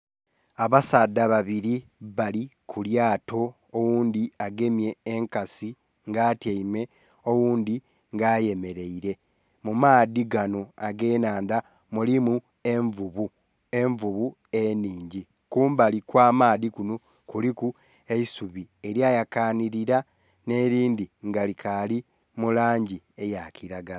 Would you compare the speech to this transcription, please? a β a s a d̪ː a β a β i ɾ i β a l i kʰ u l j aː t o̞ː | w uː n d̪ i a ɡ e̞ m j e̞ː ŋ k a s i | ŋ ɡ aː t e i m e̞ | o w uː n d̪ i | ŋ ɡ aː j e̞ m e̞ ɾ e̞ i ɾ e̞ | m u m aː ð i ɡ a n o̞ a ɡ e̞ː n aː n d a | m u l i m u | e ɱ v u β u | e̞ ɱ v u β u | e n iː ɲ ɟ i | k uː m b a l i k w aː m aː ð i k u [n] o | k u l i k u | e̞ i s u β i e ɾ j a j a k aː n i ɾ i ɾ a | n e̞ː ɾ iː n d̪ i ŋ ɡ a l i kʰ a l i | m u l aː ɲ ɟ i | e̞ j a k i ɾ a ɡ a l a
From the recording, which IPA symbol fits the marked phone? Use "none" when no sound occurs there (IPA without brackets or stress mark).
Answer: n